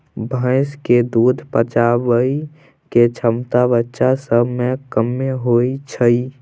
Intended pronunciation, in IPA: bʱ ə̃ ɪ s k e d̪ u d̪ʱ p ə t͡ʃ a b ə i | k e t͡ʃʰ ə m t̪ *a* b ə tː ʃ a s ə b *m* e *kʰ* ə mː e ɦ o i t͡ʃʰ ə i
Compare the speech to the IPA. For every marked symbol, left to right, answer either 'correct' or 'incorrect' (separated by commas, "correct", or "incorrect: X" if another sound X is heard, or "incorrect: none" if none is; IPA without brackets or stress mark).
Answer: correct, correct, incorrect: k